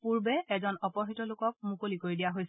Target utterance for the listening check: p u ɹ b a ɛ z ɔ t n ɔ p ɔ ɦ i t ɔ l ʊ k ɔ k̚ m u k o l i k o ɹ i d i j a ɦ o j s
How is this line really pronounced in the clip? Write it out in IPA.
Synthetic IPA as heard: p u ɹ b ɛ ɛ z ɔ n ɔ p ɔ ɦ i t ɔ l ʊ k ɔ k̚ m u k o l i k o ɹ i d i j a ɦ o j s